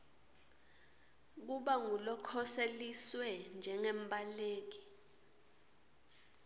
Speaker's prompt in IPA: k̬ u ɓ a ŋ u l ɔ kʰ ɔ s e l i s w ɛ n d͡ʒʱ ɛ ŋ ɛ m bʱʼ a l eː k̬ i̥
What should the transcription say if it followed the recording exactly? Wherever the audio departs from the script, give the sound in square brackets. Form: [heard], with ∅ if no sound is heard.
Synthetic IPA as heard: k̬ u ɓ a ŋ u l ɔ kʰ ɔ s e l i s w ɛ n d͡ʒʱ ɛ ŋ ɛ m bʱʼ a l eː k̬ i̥